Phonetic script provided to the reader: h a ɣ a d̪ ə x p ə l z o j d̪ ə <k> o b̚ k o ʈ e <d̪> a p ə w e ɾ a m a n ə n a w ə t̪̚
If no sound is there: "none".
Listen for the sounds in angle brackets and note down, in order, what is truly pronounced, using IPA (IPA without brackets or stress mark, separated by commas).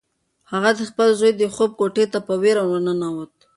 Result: x, t̪